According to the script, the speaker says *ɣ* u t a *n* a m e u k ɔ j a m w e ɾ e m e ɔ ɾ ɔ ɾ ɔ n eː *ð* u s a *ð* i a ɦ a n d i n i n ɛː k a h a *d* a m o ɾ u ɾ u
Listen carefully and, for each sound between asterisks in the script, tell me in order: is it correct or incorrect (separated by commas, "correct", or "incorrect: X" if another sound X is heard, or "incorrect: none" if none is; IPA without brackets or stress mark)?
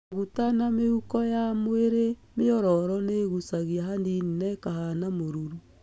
correct, correct, incorrect: ɣ, incorrect: ɣ, incorrect: n